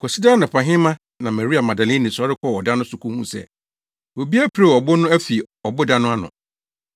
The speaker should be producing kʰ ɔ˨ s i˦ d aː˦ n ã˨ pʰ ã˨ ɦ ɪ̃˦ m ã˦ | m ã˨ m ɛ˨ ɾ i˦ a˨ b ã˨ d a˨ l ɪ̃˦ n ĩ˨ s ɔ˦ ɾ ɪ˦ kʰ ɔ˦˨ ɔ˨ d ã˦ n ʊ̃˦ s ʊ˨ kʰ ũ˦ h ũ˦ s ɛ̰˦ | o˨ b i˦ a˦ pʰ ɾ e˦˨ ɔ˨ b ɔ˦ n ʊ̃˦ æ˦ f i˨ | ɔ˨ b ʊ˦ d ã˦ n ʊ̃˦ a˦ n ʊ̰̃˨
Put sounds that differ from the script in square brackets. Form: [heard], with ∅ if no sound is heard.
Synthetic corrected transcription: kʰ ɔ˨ s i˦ d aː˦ n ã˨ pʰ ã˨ ɦ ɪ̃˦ m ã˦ | [n] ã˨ m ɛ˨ ɾ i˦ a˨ [m] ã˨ d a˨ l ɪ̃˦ n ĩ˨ s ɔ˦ ɾ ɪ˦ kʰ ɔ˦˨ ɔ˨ d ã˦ n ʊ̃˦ s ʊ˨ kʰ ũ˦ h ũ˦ s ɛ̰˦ | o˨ b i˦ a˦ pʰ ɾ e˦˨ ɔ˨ b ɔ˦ n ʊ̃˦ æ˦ f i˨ | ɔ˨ b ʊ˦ d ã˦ n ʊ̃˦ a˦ n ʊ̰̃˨

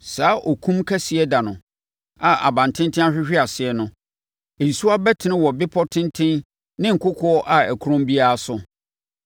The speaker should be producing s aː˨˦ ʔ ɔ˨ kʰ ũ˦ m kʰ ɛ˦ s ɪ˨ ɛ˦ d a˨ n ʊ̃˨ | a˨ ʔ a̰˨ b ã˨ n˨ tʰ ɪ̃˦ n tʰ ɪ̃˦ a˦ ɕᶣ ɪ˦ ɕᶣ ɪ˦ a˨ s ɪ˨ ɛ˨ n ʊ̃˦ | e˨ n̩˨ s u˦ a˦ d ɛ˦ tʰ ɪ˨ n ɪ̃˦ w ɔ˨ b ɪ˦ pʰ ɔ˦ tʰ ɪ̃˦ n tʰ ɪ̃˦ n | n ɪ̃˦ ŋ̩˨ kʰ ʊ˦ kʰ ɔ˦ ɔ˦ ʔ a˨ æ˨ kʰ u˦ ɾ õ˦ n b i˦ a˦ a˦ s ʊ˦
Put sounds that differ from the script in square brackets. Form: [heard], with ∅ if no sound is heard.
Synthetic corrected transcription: s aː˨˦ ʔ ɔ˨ kʰ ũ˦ m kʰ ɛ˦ s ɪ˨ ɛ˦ d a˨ n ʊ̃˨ | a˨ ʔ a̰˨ b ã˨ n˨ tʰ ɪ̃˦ n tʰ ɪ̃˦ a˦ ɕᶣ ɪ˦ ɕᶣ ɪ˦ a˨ s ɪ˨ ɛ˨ n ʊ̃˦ | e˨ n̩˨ s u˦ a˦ [b] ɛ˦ tʰ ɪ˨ n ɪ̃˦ w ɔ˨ b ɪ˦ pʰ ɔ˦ tʰ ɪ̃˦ n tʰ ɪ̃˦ n | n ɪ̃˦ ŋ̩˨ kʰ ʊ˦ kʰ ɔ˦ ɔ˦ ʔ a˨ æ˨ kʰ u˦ ɾ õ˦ [m] b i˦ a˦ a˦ s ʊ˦

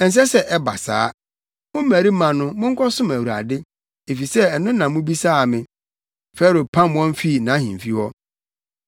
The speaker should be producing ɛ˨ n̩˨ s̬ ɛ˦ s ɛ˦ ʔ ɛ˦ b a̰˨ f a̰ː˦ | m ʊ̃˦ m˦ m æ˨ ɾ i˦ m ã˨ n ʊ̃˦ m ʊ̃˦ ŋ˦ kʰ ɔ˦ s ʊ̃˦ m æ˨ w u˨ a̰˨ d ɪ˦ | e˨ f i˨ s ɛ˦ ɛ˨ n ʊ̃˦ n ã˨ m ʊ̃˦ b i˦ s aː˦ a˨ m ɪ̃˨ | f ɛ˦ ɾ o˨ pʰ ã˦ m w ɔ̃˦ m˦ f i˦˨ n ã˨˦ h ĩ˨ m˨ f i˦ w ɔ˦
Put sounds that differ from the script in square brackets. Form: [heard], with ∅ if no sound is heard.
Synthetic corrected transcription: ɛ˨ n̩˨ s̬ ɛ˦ s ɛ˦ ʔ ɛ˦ b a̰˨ [s] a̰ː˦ | m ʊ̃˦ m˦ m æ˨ ɾ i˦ m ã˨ n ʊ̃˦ m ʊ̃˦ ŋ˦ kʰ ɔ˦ s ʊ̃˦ m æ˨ w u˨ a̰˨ d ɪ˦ | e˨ f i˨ s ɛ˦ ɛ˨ n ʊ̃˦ n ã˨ m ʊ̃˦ b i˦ s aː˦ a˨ m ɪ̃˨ | f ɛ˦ ɾ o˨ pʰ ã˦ m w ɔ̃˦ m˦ f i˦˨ n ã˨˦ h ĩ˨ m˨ f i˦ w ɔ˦

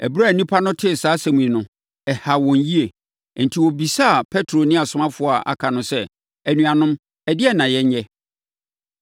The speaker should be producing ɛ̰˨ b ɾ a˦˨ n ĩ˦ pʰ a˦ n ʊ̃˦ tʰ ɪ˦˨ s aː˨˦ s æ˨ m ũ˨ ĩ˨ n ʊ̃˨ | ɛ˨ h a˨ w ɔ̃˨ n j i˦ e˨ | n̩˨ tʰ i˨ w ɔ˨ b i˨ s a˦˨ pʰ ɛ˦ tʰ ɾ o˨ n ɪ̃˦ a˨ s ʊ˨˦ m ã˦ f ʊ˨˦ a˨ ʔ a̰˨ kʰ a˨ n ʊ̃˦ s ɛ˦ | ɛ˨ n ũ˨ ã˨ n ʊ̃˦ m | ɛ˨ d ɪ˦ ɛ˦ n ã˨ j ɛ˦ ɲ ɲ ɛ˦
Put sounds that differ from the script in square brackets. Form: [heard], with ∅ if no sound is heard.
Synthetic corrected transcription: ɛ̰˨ b ɾ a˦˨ n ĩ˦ pʰ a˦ n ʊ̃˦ tʰ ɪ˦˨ s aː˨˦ s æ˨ m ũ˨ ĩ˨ n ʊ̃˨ | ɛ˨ h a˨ w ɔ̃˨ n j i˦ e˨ | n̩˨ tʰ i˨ w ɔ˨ b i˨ s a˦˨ pʰ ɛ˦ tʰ ɾ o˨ n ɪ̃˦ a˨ s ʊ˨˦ m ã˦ f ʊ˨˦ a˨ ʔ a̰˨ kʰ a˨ n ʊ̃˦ s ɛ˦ | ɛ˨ n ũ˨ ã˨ n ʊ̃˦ m | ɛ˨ d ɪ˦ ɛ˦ n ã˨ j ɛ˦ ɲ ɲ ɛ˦

